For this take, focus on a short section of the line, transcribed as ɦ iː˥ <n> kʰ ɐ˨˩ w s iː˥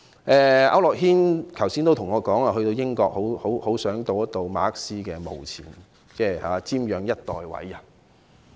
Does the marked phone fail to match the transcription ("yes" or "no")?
no